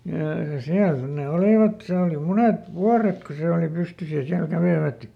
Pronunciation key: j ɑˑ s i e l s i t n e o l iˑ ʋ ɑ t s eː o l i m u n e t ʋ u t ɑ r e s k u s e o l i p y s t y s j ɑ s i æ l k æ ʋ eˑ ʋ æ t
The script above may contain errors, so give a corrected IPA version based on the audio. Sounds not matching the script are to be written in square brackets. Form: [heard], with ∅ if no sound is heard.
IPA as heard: j ɑˑ s i [æ] l s i t n e o l iˑ ʋ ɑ t s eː o l i m u n e t ʋ u [∅] ɑ r e [t] k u s e o l i p y s t y s j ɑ s i æ l k æ ʋ eˑ ʋ æ t